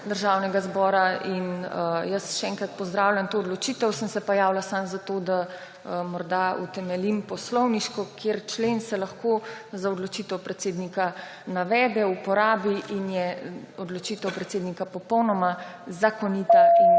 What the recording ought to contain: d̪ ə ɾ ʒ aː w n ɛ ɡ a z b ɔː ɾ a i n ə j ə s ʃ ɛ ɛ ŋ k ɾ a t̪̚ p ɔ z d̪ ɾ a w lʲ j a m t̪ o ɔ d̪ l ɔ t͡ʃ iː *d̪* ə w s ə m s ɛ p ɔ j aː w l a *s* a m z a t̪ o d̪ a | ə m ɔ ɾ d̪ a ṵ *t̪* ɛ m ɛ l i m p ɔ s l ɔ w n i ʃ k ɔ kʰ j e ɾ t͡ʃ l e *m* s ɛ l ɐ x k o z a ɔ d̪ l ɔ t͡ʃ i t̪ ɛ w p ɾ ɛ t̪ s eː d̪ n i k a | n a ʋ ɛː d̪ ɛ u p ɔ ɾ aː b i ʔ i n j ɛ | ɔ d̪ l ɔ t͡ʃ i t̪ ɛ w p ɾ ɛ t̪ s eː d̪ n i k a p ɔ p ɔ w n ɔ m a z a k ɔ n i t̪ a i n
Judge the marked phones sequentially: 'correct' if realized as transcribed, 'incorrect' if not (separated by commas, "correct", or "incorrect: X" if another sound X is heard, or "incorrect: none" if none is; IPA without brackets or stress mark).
incorrect: t̪, correct, correct, incorrect: n